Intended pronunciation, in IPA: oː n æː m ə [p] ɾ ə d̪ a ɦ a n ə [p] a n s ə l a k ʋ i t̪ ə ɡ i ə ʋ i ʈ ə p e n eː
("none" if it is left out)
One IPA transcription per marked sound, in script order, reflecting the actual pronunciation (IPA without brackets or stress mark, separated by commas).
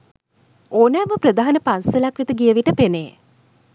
p, p